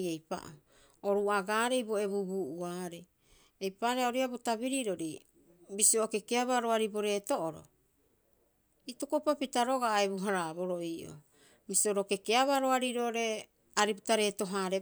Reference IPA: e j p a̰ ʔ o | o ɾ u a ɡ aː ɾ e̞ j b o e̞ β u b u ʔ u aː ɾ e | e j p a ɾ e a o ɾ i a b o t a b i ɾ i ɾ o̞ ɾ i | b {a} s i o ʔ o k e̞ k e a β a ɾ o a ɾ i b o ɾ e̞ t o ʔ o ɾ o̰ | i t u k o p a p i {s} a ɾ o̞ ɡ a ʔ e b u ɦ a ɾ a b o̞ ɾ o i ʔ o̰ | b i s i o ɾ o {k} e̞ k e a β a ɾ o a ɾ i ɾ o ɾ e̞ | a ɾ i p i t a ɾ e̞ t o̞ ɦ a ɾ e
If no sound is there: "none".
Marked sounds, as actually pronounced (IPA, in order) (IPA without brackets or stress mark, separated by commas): i, t, k